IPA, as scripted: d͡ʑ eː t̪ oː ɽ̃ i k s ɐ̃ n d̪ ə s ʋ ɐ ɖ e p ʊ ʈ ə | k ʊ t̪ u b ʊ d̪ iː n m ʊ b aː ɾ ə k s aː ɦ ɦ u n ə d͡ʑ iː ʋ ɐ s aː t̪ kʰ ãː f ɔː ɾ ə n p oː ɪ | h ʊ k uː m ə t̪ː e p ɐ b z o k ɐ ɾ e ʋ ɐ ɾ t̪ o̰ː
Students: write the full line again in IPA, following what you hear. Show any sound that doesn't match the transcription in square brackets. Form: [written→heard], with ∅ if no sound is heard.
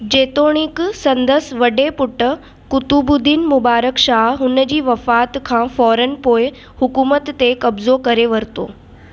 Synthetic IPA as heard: d͡ʑ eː t̪ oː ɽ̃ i k s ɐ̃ n d̪ ə s ʋ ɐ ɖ e p ʊ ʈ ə | k ʊ t̪ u b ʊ d̪ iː n m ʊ b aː ɾ ə k [s→ʃ] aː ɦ ɦ [u→ʊ] n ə d͡ʑ iː ʋ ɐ [s→f] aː t̪ kʰ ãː f ɔː ɾ ə n p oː ɪ | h ʊ k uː m ə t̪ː e [p→k] ɐ b z o k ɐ ɾ e ʋ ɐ ɾ t̪ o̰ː